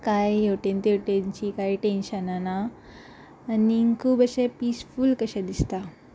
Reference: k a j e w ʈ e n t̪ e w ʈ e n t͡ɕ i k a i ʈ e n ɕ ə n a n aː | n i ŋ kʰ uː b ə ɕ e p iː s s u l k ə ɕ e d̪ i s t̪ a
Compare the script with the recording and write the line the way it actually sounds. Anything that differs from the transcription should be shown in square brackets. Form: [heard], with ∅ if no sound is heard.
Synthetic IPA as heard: k a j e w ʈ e n t̪ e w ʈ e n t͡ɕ i k a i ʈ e n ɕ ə n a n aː | n i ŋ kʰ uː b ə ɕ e p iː s [f] u l k ə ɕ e d̪ i s t̪ a